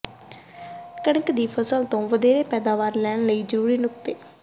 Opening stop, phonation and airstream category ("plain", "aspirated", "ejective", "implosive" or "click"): plain